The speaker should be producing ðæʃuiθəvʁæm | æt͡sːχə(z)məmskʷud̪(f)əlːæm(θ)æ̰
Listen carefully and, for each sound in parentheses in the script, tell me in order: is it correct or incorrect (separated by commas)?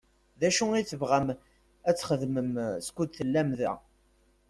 incorrect, incorrect, incorrect